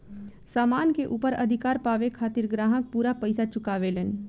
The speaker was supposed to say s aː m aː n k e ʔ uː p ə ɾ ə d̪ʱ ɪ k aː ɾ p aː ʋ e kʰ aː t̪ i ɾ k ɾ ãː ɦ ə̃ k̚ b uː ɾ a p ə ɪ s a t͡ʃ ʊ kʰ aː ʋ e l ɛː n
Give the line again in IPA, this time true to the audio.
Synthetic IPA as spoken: s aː m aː n k e ʔ uː p ə ɾ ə d̪ʱ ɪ k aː ɾ p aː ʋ e kʰ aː t̪ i ɾ ɡ ɾ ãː ɦ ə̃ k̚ p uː ɾ a p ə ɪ s a t͡ʃ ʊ k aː ʋ e l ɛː n